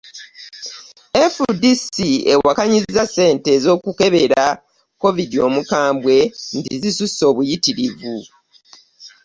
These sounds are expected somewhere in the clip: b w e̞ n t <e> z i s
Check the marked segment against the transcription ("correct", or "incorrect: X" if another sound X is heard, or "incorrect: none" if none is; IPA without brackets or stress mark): incorrect: i